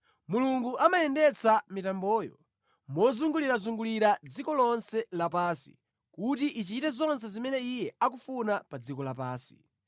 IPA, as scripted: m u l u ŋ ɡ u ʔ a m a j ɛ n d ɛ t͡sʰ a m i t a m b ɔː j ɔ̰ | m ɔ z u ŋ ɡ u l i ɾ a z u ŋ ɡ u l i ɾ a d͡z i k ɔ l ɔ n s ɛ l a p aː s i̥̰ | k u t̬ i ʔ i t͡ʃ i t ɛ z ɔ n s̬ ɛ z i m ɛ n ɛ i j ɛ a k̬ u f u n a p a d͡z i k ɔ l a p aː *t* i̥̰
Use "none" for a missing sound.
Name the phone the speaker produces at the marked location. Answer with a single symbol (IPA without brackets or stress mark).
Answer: s